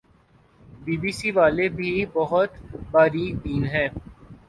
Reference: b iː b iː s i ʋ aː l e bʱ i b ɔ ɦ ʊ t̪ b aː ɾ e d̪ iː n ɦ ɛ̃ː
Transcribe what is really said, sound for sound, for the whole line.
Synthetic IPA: b iː b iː s i ʋ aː l e bʱ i b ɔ ɦ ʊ t̪ b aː ɾ i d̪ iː n ɦ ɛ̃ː